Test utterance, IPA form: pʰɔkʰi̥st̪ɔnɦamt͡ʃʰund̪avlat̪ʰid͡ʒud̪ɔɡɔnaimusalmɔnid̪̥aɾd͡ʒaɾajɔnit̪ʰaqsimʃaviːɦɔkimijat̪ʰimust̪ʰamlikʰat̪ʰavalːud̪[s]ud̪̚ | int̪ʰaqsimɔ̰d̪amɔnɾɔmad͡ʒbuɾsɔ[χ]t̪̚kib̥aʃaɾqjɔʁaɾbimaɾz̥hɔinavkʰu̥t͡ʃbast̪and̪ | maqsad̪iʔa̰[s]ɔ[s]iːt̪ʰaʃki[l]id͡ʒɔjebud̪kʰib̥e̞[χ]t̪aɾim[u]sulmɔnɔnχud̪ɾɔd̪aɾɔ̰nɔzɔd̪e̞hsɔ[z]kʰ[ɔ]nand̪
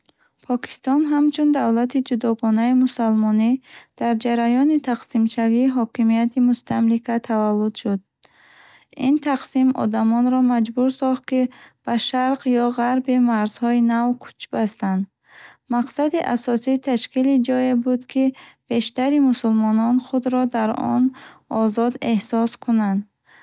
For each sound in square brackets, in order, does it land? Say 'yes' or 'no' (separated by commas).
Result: no, yes, yes, yes, yes, no, yes, no, no